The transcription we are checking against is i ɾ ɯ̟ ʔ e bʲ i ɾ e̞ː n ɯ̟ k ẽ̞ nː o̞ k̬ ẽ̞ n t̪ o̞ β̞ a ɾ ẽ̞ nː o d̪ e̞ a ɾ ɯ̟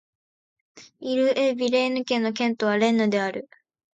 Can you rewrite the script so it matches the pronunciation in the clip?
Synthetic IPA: i ɾ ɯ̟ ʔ e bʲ i ɾ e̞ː n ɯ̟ k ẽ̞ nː o̞ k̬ ẽ̞ n t̪ o̞ β̞ a ɾ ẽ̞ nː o d̪ e̞ a ɾ ɯ̟